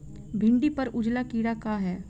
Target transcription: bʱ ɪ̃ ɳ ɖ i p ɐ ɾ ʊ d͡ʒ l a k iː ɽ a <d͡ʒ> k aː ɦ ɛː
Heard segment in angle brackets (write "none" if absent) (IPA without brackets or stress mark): none